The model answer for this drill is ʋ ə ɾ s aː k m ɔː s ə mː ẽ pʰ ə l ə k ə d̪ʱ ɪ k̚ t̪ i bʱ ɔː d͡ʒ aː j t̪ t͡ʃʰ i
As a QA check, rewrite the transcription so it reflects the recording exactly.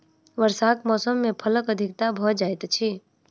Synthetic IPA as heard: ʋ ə ɾ s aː k m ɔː s ə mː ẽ pʰ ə l ə k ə d̪ʱ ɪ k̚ t̪ a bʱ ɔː d͡ʒ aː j t̪ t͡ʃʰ i